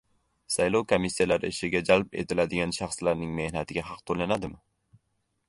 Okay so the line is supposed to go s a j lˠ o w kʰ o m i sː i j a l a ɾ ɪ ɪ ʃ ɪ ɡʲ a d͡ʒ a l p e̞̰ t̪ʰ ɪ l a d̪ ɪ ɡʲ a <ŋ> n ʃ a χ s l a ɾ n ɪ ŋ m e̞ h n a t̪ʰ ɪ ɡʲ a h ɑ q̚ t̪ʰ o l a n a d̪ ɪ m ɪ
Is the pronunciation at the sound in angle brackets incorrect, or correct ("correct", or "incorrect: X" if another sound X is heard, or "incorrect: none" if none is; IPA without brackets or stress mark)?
incorrect: none